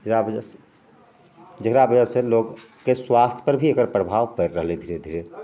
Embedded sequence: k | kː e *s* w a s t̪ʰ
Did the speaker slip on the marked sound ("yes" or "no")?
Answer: no